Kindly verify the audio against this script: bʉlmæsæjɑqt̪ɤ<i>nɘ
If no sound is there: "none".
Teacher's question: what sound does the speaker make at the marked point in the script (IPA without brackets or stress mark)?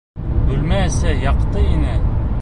i